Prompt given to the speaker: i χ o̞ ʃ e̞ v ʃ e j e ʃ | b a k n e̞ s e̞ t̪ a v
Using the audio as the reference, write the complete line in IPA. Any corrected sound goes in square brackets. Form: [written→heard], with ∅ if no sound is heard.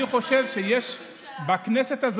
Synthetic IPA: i χ o̞ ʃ e̞ v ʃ e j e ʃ | b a k n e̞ s e̞ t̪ a [v→z]